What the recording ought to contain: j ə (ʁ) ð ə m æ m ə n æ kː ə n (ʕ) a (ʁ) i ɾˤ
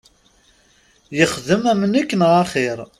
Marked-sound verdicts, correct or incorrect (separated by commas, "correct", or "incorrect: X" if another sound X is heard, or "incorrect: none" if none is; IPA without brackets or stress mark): incorrect: χ, incorrect: ʁ, incorrect: χ